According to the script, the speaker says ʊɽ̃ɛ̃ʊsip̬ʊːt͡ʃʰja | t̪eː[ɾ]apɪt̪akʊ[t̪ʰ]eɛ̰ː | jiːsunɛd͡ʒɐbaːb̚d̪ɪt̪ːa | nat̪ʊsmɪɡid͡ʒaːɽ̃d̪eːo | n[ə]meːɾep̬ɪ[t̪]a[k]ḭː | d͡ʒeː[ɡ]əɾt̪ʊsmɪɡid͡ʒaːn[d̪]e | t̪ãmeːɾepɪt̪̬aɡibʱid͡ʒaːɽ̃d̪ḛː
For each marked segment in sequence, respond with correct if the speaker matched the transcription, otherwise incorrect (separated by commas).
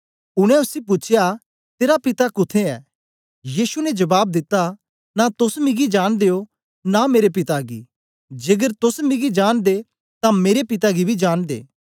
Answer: correct, correct, incorrect, correct, incorrect, correct, correct